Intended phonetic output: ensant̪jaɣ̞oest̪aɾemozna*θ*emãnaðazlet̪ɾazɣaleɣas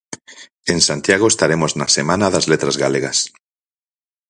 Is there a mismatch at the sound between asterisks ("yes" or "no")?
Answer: yes